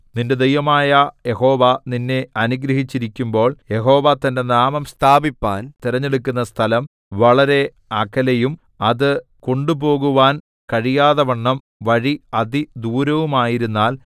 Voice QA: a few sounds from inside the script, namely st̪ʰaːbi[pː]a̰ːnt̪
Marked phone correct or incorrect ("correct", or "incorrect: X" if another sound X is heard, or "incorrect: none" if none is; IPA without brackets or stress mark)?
correct